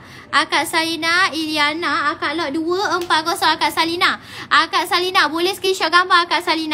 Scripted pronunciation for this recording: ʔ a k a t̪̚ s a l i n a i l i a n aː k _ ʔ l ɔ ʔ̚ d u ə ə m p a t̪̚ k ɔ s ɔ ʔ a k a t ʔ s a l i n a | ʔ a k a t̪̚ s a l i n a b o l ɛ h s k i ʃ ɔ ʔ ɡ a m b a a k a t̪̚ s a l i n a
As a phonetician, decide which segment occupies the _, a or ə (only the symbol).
a